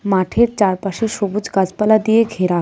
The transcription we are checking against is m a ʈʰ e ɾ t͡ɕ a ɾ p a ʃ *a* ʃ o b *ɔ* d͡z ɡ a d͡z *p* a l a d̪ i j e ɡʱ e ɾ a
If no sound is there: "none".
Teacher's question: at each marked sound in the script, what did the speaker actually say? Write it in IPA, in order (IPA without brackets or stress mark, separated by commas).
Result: e, u, p